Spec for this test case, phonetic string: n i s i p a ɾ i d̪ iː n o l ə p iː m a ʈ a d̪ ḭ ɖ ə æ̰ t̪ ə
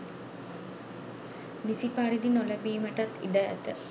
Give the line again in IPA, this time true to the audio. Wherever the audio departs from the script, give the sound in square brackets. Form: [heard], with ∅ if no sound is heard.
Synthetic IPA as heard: n i s i p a ɾ i d̪ [i] n o l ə [b] iː m [ə] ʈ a [t̪] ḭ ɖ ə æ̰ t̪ ə